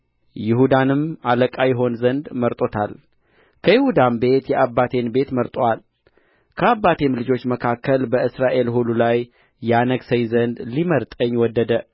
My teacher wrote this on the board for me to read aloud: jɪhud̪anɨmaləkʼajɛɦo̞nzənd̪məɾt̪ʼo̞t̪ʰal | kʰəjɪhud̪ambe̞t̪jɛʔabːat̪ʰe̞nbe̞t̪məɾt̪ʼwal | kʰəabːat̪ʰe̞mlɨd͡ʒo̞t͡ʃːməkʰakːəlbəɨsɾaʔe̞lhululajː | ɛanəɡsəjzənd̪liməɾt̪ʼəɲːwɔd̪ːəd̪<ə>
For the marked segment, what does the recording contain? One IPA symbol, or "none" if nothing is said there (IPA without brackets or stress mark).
ə